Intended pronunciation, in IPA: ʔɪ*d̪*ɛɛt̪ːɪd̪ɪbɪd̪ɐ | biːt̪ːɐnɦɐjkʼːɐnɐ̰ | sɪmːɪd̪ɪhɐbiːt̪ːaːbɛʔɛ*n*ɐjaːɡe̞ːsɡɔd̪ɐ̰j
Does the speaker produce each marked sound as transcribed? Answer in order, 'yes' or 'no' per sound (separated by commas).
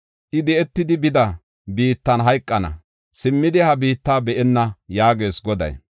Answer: yes, no